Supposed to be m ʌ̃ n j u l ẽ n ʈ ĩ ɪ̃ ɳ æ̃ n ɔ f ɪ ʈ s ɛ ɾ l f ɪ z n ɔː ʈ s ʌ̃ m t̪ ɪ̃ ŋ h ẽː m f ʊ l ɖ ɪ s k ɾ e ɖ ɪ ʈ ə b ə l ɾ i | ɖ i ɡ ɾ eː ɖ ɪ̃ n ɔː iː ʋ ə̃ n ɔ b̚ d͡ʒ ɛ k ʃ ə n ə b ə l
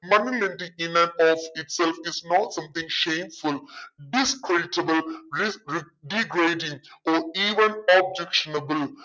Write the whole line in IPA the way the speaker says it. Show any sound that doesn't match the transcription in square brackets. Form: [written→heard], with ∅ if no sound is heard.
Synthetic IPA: m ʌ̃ n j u l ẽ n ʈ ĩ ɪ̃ [ɳ→n] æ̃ n ɔ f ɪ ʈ s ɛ [ɾ→∅] l f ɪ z n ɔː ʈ s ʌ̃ m t̪ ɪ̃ ŋ [h→ʃ] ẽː m f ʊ l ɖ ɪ s k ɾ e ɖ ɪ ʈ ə b ə l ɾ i | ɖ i ɡ ɾ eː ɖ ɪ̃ [n→ŋ] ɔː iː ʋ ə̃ n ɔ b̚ d͡ʒ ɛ k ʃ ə n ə b ə l